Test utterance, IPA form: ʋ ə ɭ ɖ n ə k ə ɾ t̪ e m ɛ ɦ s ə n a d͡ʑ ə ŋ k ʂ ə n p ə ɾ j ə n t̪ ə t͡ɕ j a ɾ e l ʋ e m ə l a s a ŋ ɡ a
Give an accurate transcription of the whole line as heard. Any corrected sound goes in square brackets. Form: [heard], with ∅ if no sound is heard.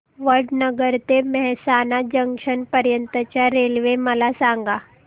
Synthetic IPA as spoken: ʋ ə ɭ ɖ n ə [ɡ] ə ɾ t̪ e m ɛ ɦ s [a] n a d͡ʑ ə ŋ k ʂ ə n p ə ɾ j ə n t̪ ə t͡ɕ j a ɾ e l ʋ e m ə l a s a ŋ ɡ a